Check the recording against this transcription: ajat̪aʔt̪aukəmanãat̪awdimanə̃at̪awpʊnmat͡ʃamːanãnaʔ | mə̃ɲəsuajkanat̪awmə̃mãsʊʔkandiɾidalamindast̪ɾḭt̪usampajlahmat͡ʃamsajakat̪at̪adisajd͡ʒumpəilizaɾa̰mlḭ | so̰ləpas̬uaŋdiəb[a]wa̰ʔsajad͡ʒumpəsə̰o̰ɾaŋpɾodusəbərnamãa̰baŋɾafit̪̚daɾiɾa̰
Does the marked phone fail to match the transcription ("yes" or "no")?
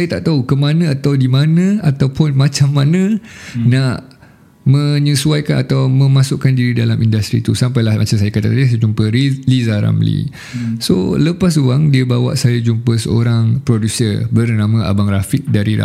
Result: no